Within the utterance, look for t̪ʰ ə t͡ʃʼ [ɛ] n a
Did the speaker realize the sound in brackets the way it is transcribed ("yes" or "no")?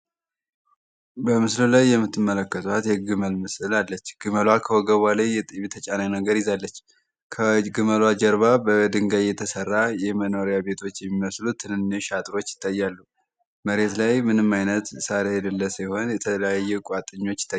no